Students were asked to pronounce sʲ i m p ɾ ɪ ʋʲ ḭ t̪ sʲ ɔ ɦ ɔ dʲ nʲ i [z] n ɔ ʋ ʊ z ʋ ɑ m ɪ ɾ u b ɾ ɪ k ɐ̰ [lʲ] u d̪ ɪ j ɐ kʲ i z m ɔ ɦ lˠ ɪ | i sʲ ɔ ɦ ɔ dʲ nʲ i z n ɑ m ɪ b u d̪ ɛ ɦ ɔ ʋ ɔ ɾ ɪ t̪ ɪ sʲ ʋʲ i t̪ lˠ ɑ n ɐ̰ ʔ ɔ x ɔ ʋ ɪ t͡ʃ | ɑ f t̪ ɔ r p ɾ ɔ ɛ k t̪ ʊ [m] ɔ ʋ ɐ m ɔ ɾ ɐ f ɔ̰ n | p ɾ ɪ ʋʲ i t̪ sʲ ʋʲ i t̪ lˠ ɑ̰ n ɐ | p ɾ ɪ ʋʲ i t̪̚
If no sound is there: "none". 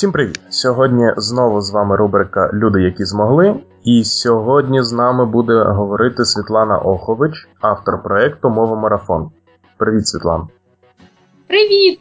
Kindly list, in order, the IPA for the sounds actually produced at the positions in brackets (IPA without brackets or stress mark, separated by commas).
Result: z, lʲ, m